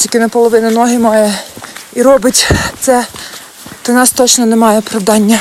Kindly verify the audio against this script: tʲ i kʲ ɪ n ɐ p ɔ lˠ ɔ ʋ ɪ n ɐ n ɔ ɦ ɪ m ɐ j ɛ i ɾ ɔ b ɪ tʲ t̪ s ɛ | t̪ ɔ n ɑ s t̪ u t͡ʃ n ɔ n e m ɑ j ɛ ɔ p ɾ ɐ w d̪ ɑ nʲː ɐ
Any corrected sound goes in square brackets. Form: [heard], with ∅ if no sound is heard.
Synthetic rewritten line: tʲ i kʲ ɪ n ɐ p ɔ lˠ ɔ ʋ ɪ n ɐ n ɔ ɦ ɪ m [ɑ] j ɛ i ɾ ɔ b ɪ tʲ t̪ s ɛ | t̪ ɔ n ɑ s t̪ [ɔ] t͡ʃ n ɔ n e m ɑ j ɛ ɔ p ɾ ɐ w d̪ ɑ nʲː ɐ